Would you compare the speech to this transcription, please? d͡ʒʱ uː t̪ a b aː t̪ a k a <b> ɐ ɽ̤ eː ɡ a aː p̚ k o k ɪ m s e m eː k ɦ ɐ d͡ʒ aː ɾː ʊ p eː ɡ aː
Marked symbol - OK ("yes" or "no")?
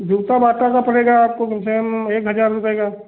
no